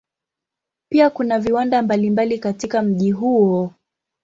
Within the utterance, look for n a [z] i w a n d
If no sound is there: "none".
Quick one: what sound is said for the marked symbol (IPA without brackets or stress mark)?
v